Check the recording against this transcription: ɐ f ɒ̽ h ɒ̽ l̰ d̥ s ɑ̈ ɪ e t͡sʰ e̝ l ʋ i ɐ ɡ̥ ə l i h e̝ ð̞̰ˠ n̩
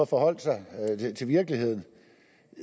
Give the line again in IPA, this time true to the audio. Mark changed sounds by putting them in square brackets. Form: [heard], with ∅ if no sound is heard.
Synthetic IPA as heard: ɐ f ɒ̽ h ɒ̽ l̰ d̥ s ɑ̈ ɪ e t͡sʰ e̝ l ʋ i ɐ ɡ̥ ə l i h e̝ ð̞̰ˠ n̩